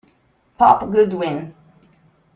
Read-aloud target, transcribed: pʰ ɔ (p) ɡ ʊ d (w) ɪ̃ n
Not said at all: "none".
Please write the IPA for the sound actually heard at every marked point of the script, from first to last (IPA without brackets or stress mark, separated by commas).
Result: p, w